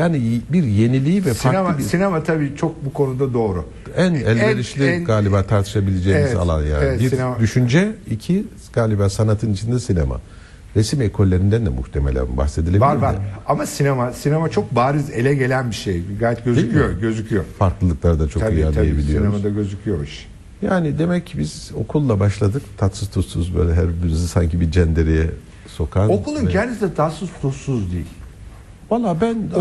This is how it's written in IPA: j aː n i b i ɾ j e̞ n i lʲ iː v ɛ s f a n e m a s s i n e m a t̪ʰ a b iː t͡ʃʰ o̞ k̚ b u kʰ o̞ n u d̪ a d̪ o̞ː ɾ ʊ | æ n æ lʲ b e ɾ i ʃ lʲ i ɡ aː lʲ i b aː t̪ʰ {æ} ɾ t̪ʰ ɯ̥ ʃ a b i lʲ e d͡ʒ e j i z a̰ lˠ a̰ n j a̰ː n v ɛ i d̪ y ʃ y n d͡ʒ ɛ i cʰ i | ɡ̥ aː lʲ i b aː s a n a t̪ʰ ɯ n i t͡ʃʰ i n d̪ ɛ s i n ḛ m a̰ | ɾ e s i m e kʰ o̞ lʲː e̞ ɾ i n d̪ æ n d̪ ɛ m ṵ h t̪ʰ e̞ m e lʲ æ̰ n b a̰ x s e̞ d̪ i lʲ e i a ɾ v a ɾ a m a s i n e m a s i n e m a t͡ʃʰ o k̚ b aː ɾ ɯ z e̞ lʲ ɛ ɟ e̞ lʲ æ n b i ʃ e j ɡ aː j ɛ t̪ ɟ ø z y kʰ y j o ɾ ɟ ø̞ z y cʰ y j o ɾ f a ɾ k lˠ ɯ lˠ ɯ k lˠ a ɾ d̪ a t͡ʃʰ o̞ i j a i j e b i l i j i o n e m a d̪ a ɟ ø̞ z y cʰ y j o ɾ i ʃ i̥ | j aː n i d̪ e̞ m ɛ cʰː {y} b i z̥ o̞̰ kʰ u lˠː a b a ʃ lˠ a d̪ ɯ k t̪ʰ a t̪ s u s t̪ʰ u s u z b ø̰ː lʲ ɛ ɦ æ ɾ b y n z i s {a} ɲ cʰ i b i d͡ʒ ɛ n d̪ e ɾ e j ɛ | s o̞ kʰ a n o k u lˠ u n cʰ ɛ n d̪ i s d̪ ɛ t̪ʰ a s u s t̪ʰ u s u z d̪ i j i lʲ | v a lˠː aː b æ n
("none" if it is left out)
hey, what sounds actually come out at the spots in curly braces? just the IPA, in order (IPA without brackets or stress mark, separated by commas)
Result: a, i, a